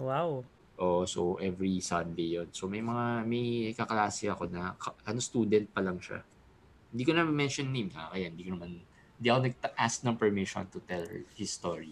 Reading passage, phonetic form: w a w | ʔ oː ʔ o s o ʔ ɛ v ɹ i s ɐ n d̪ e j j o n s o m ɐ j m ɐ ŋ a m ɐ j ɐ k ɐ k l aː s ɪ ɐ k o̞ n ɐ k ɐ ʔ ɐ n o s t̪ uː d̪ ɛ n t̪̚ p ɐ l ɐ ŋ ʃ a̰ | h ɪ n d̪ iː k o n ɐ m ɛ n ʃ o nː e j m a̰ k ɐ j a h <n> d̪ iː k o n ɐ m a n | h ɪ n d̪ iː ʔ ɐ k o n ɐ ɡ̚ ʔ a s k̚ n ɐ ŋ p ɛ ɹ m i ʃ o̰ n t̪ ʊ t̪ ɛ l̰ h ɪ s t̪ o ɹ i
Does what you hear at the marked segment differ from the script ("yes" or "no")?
no